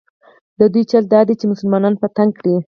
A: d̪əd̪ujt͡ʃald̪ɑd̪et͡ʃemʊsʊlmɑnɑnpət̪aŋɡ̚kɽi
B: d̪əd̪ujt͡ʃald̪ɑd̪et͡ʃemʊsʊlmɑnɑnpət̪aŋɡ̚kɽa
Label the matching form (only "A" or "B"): A